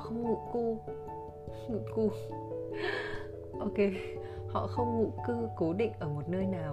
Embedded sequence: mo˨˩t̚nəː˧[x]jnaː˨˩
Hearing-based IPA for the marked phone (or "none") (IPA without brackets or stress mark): none